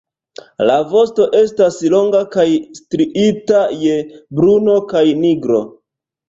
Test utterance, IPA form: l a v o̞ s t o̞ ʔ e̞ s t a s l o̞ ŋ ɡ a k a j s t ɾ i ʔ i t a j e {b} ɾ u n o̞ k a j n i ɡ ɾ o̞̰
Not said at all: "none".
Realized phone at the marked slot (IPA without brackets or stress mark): b